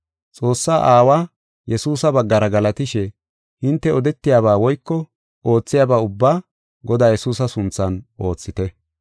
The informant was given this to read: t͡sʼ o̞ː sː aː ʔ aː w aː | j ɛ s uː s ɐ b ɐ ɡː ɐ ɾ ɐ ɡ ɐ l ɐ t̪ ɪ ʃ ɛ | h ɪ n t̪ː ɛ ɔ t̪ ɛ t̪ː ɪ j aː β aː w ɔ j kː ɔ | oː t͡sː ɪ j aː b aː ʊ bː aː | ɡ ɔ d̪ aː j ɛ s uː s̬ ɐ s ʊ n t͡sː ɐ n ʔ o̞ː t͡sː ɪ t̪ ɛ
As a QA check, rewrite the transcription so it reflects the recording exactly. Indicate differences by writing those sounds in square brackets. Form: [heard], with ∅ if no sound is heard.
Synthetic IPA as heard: t͡sʼ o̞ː sː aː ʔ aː w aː | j ɛ s uː s ɐ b ɐ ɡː ɐ ɾ ɐ ɡ ɐ l ɐ t̪ ɪ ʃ ɛ | h ɪ n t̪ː ɛ ɔ [d̪] ɛ t̪ː ɪ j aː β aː w ɔ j kː ɔ | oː t͡sː ɪ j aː b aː ʊ bː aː | ɡ ɔ d̪ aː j ɛ s uː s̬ ɐ s ʊ n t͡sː ɐ n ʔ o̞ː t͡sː ɪ t̪ ɛ